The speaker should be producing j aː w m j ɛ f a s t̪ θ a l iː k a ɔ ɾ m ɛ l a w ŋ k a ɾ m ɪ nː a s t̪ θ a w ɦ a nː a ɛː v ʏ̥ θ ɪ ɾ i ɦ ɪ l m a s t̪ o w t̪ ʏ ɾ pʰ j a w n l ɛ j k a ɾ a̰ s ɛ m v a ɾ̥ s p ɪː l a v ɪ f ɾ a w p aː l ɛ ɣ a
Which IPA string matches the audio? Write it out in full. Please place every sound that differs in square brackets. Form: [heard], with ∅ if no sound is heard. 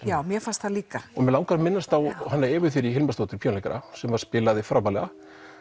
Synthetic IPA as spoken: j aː w m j ɛ f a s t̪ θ a l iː k a ɔ [∅] m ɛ l a w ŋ k a ɾ m ɪ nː a s t̪ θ a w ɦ a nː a ɛː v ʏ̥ θ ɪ ɾ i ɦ ɪ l m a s t̪ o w t̪ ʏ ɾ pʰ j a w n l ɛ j k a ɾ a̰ s ɛ m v a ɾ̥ s p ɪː l a [ð] ɪ f ɾ a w p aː l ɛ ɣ a